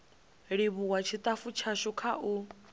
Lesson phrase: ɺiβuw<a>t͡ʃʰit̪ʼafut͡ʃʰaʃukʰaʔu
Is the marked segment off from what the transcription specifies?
no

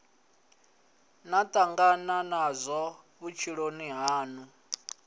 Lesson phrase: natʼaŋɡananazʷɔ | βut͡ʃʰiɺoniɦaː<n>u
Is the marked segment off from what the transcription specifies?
no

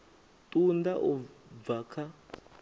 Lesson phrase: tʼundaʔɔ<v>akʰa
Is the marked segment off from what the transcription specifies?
no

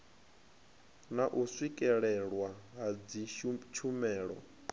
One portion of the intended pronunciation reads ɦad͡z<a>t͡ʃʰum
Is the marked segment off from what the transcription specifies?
yes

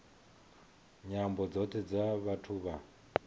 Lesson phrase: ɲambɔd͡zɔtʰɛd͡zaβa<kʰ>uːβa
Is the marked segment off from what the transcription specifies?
yes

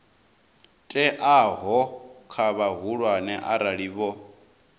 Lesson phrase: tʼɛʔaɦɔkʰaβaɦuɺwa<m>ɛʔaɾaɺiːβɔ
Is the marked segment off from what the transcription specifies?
yes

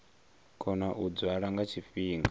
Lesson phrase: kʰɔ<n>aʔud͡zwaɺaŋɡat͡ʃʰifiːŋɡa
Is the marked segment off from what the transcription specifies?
no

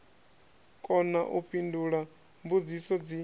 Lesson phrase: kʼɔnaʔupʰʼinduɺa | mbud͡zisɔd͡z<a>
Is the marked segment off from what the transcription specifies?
yes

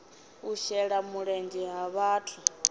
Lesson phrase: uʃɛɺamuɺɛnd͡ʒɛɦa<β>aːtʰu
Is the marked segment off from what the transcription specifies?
no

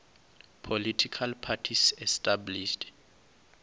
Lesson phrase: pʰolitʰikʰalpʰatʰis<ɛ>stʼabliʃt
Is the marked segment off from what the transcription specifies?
no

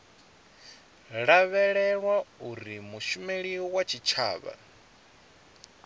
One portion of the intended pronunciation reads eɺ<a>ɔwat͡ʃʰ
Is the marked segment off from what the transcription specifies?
yes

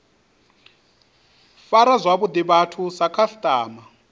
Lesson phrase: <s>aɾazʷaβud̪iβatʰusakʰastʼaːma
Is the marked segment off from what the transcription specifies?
yes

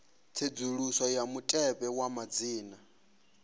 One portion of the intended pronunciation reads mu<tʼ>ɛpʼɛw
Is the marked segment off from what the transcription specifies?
no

